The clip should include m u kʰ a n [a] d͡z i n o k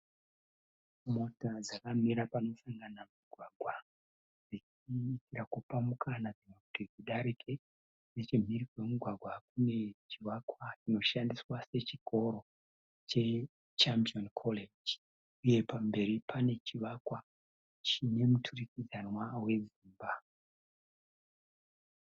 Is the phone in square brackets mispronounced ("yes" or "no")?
no